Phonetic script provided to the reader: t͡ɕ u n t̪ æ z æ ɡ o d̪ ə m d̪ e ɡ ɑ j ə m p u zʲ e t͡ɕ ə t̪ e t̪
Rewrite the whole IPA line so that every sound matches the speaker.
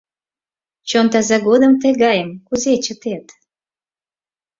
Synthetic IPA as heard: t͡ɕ o n t̪ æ z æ ɡ o d̪ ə m t̪ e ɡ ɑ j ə m k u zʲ e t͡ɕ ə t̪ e t̪